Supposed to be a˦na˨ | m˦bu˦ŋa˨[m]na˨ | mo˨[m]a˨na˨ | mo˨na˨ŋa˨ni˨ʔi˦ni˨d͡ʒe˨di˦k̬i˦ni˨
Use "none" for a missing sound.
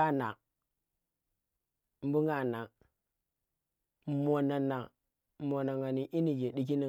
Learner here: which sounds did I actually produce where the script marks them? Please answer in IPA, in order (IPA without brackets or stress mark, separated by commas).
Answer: none, n